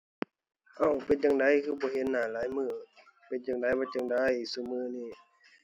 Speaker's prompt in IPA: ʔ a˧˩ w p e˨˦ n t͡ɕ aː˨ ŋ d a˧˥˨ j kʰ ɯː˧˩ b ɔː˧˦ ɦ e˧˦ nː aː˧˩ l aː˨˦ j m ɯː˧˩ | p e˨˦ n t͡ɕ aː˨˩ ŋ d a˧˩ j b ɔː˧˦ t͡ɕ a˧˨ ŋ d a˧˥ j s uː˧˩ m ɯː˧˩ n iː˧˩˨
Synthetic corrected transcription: ʔ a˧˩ w p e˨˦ n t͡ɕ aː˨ ŋ d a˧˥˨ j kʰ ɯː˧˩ b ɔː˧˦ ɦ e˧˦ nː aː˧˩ l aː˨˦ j m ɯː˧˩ | p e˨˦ n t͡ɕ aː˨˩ ŋ d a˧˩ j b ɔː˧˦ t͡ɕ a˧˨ ŋ d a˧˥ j s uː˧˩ m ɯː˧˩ n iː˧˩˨